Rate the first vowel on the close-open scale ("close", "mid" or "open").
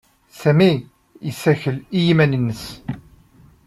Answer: open